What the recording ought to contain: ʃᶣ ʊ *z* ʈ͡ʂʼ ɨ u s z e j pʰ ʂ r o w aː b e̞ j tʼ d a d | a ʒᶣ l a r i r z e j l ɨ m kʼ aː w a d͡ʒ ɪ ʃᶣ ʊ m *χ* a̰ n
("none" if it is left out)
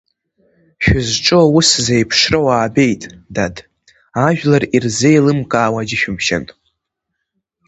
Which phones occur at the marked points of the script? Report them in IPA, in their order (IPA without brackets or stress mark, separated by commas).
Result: z, ʃ